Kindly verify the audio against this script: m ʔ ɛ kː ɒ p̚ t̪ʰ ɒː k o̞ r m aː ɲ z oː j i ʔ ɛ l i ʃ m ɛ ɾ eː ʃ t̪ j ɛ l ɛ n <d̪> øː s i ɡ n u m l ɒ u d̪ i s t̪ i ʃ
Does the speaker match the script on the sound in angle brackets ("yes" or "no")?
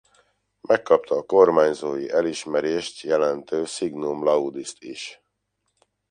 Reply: no